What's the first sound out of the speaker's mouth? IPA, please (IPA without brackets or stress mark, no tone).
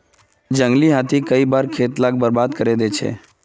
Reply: d͡ʒ